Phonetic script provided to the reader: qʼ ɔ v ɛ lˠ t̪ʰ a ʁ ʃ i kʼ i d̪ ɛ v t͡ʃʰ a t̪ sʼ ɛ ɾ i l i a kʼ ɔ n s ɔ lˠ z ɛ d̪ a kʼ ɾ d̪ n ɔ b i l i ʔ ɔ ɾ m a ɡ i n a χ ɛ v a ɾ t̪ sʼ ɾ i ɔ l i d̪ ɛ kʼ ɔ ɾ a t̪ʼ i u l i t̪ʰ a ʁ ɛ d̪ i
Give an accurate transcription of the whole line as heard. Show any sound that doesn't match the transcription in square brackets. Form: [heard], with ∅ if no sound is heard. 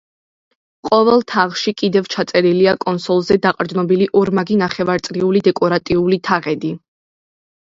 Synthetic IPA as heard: qʼ ɔ v ɛ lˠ t̪ʰ a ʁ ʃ i kʼ i d̪ ɛ v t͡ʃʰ a t̪ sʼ ɛ ɾ i l i a kʼ ɔ n s ɔ lˠ z ɛ d̪ a [qʼ] ɾ d̪ n ɔ b i l i ʔ ɔ ɾ m a ɡ i n a χ ɛ v a ɾ t̪ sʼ ɾ i [u] l i d̪ ɛ kʼ ɔ ɾ a t̪ʼ i u l i t̪ʰ a ʁ ɛ d̪ i